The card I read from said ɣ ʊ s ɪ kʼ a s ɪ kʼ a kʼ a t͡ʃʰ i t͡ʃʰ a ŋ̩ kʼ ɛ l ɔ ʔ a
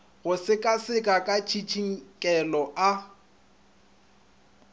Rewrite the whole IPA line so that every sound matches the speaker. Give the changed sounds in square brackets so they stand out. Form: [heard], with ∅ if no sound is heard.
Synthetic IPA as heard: ɣ ʊ s ɪ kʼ a s ɪ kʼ a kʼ a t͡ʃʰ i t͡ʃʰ [i] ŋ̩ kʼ ɛ l ɔ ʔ a